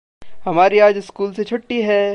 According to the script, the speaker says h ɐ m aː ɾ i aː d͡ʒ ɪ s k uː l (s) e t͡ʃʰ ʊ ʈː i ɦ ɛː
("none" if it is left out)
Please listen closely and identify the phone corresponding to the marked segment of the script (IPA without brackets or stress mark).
s